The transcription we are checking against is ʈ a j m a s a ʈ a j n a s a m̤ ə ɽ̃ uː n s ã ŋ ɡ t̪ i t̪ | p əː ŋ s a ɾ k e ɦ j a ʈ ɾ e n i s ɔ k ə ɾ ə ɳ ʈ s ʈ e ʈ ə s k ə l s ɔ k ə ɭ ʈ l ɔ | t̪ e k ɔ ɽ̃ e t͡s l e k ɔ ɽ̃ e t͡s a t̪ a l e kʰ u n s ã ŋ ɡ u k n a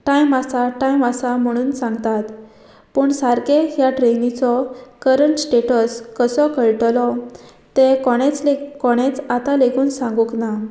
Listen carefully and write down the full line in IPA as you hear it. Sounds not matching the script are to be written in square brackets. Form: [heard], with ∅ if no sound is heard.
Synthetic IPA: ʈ a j m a s a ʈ a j [m] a s a m̤ ə ɽ̃ uː n s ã ŋ ɡ t̪ [a] t̪ | p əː [ɳ] s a ɾ k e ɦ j a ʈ ɾ e n i [t͡s] ɔ k ə ɾ ə ɳ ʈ s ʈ e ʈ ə s k ə [∅] s ɔ k ə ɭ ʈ l ɔ | t̪ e k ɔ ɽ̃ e t͡s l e k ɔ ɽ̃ e t͡s a t̪ a l e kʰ [uː] n s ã ŋ ɡ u k n a

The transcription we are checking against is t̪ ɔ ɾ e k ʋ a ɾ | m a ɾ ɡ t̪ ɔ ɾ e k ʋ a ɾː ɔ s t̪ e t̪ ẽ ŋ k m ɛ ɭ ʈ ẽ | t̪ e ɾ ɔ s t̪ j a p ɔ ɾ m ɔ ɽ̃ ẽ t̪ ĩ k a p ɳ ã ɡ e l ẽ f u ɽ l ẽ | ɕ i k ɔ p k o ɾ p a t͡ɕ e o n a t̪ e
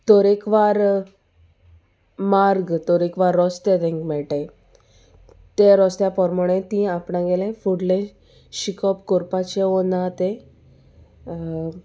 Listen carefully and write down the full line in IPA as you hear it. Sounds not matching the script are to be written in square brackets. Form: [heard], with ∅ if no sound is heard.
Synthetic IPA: t̪ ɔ ɾ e k ʋ a ɾ | m a ɾ ɡ t̪ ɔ ɾ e k ʋ a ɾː ɔ s t̪ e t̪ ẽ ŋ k m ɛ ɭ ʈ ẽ | t̪ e ɾ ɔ s t̪ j a p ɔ ɾ m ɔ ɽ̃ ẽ t̪ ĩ [∅] a p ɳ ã ɡ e l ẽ f u ɽ l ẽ | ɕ i k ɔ p k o ɾ p a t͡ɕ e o n a t̪ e

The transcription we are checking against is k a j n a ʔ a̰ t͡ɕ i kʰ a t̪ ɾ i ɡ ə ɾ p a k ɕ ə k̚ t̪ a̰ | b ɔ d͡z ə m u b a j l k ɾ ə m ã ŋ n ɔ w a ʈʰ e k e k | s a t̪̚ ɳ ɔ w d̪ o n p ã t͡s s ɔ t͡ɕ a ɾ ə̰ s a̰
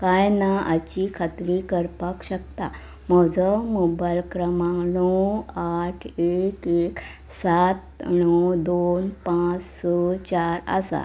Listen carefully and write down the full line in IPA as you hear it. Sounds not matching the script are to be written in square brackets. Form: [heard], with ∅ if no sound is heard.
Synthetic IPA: k a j n a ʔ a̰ t͡ɕ i kʰ a t̪ ɾ i [k] ə ɾ p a k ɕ ə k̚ t̪ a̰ | [m] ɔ d͡z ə m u b a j l k ɾ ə m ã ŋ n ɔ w a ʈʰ e k e k | s a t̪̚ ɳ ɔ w d̪ o n p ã t͡s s ɔ t͡ɕ a ɾ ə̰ s a̰

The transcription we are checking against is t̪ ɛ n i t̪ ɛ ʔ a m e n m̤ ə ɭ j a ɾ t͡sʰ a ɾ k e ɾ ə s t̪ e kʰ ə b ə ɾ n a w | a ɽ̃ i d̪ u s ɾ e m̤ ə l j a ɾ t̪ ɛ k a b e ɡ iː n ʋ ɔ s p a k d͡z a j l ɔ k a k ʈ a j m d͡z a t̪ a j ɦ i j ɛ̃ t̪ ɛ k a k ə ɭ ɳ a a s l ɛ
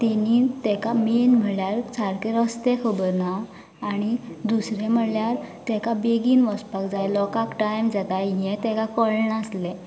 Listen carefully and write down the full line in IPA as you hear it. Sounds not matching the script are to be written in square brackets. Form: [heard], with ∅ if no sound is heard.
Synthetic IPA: t̪ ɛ n i t̪ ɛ [k] a m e n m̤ ə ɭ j a ɾ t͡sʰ a ɾ k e ɾ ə s t̪ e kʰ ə b ə ɾ n a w | a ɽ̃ i d̪ u s ɾ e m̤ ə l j a ɾ t̪ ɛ k a b e ɡ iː n ʋ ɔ s p a k d͡z a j l ɔ k a k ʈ a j m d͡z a t̪ a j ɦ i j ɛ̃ t̪ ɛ k a k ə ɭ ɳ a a s l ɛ

